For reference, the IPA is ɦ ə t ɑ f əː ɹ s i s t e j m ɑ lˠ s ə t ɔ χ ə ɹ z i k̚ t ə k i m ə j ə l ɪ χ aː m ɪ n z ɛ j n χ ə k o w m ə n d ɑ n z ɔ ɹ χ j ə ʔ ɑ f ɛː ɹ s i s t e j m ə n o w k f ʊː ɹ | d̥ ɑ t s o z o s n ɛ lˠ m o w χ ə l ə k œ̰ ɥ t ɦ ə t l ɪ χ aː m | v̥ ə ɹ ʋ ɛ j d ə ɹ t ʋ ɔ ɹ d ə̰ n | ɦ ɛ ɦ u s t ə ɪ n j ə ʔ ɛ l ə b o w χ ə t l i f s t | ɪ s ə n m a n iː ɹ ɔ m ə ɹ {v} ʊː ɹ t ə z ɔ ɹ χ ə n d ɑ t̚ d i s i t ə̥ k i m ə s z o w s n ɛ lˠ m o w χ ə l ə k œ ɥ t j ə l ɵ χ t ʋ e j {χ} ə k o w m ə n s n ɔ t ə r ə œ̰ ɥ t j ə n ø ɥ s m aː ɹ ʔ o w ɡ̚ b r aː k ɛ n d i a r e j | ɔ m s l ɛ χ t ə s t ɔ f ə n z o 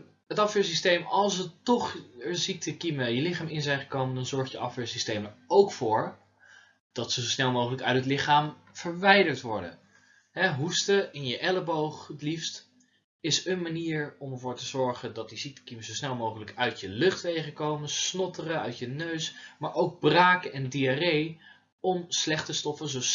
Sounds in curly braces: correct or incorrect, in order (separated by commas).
correct, correct